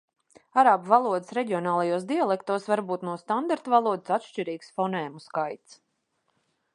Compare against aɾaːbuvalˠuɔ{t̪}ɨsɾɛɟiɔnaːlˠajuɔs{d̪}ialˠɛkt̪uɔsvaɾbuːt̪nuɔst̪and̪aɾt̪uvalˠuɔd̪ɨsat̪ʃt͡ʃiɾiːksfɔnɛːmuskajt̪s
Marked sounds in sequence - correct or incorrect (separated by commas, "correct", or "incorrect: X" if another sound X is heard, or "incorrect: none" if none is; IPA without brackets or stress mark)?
incorrect: d̪, correct